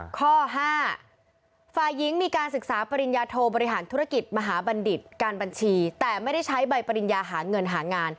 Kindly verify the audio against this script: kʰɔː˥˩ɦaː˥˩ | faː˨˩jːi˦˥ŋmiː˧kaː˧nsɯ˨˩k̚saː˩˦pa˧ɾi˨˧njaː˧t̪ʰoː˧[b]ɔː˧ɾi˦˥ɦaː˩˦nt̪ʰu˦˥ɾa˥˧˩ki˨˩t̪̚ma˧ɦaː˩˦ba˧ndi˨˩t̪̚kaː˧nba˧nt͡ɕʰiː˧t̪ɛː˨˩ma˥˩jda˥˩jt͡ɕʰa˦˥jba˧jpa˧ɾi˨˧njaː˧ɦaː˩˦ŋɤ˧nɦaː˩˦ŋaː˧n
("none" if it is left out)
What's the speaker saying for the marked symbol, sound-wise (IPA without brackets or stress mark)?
b